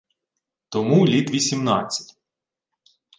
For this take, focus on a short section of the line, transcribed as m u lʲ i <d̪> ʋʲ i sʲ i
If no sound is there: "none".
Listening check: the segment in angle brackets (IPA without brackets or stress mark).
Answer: t̪